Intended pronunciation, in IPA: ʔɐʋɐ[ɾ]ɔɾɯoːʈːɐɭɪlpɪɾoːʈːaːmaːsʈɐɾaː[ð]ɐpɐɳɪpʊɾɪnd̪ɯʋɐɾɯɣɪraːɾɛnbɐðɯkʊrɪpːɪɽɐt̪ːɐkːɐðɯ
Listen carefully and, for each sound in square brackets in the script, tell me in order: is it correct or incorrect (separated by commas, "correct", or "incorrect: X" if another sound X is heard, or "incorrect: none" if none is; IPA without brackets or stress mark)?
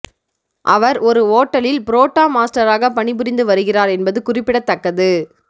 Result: correct, incorrect: ɣ